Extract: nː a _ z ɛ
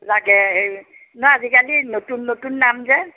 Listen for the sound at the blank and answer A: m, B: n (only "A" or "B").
A